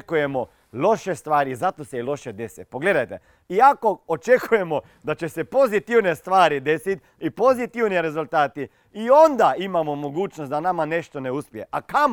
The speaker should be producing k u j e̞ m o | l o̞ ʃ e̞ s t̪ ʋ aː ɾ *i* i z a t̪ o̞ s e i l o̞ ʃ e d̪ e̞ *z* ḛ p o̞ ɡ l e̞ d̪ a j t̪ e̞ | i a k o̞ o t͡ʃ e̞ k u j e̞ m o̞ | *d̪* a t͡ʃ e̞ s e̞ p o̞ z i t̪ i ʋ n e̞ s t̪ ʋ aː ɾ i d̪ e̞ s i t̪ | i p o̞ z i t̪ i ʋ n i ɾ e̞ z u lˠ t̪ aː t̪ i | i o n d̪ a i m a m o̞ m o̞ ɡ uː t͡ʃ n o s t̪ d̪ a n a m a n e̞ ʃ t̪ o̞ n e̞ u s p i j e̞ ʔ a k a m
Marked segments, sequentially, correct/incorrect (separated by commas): correct, incorrect, correct